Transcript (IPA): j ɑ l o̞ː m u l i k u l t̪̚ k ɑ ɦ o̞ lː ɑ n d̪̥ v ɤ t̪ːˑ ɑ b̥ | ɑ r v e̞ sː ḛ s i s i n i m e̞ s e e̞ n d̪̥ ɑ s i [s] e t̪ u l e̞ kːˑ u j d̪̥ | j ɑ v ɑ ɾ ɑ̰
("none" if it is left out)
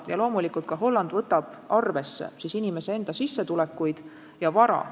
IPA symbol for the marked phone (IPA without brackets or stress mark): sː